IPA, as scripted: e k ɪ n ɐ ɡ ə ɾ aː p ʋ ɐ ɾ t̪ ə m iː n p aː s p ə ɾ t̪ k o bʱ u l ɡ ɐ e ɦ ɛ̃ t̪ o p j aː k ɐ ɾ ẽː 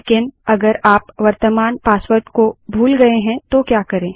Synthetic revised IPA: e k ɪ n ɐ ɡ ə ɾ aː p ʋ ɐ ɾ t̪ ə m aː n p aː s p ə ɾ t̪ k o bʱ uː l ɡ ɐ e ɦ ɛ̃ t̪ o k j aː k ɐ ɾ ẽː